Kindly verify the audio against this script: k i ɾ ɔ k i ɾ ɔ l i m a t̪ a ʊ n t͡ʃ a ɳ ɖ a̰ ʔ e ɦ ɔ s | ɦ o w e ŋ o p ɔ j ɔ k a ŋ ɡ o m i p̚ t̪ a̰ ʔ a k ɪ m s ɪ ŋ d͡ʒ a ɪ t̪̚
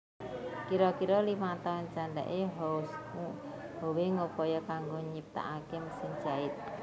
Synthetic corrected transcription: k i ɾ ɔ k i ɾ ɔ l i m a t̪ a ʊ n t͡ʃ a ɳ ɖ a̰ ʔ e ɦ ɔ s | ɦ o w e ŋ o p ɔ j ɔ k a ŋ ɡ o ɲ i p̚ t̪ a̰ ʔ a k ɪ m s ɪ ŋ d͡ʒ a ɪ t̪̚